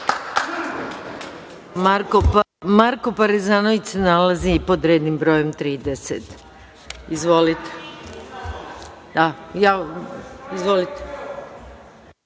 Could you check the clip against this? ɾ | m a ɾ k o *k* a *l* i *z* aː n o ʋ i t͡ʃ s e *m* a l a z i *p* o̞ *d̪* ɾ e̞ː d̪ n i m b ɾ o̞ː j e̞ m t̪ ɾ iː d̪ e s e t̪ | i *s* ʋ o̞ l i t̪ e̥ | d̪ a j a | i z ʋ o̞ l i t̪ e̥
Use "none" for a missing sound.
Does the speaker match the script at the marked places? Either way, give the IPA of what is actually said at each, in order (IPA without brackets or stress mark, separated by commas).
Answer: p, ɾ, z, n, p, d̪, z